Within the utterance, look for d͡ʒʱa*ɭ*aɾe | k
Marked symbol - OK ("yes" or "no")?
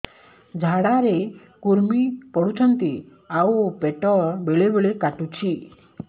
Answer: no